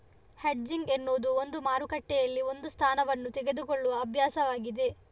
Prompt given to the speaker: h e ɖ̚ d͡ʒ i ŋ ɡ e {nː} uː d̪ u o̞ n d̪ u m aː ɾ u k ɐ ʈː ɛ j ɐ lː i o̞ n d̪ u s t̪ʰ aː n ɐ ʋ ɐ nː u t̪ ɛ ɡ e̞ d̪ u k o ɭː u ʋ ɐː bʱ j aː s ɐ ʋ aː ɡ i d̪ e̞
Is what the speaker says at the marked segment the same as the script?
yes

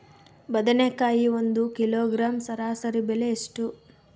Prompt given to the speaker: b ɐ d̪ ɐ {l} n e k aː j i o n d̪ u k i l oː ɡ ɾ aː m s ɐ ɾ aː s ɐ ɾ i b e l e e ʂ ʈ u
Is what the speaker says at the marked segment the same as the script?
no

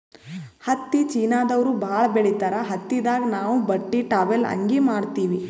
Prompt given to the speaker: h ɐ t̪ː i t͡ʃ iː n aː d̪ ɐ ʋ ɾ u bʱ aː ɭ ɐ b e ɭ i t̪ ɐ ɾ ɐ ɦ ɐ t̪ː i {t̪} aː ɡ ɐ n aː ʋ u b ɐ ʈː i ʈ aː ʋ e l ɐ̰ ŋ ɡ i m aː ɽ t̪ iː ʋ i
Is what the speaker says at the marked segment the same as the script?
no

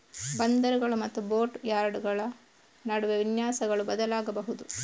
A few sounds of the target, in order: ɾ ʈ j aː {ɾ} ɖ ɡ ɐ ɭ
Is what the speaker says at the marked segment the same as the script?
yes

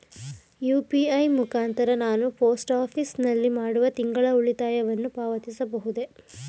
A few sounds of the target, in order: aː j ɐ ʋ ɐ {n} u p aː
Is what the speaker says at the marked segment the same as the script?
no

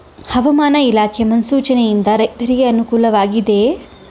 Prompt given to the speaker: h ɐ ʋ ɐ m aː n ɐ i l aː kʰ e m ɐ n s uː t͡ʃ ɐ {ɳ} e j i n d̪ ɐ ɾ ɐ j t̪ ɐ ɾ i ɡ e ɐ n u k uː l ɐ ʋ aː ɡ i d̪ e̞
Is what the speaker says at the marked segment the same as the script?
no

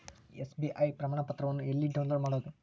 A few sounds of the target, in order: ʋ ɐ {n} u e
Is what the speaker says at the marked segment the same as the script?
no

